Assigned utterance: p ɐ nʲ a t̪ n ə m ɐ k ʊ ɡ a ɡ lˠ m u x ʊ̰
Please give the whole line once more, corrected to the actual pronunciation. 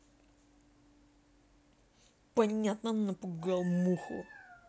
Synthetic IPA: p ɐ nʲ a t̪ n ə n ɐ p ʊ ɡ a lˠ m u x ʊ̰